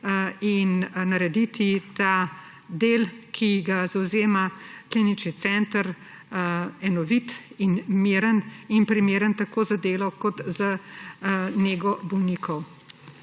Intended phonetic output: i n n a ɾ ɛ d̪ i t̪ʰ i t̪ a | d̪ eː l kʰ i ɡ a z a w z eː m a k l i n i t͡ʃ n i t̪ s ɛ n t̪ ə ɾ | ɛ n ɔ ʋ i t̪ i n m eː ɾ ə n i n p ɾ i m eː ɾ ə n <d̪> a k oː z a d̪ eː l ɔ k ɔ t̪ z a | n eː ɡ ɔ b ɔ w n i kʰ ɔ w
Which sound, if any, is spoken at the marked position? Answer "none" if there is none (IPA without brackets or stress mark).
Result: t̪